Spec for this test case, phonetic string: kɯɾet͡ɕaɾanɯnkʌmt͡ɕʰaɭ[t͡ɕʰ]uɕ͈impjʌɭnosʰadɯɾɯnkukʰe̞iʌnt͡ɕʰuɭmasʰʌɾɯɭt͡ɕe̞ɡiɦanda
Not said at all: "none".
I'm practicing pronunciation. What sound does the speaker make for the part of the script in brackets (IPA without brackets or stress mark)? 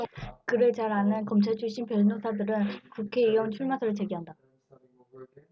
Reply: t͡ɕʰ